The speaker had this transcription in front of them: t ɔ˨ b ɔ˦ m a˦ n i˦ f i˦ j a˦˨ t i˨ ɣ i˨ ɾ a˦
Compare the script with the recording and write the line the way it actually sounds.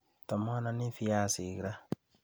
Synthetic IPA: t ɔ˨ m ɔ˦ n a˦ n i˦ f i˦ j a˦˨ s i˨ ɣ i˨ ɾ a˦